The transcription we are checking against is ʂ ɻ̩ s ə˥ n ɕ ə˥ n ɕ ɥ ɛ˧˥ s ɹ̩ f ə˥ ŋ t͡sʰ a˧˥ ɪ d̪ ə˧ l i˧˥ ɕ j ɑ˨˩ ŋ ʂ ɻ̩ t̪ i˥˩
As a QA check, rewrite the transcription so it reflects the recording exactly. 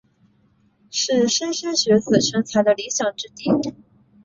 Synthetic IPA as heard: ʂ ɻ̩ ʂ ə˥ n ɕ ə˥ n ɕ ɥ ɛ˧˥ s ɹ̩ ʂ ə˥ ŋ t͡sʰ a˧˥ ɪ d̪ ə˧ l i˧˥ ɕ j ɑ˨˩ ŋ ʈ͡ʂ ɻ̩ t̪ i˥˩